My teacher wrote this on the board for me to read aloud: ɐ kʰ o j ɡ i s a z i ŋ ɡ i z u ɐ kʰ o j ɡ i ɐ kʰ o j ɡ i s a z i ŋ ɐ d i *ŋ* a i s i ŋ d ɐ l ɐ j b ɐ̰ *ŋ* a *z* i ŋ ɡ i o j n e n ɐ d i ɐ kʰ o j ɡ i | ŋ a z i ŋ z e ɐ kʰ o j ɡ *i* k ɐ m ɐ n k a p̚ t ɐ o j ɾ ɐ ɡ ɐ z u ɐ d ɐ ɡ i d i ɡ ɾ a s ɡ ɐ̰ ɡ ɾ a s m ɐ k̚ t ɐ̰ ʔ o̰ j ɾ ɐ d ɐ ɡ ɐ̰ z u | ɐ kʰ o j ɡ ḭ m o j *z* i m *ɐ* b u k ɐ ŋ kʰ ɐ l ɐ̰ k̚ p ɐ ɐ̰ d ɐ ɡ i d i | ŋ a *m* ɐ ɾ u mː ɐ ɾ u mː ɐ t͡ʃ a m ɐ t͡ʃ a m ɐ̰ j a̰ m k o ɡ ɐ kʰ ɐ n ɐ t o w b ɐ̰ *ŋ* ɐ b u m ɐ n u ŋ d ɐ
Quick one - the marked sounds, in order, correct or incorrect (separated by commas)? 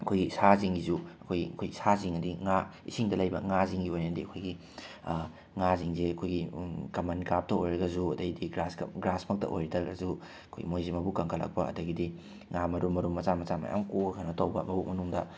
correct, correct, correct, correct, correct, correct, correct, incorrect